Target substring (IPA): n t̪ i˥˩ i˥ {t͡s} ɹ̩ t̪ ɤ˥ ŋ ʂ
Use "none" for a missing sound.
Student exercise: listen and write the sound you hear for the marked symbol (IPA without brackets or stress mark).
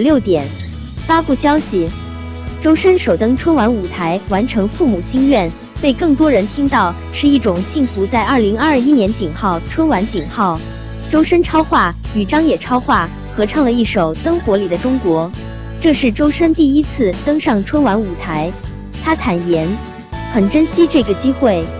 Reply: t͡sʰ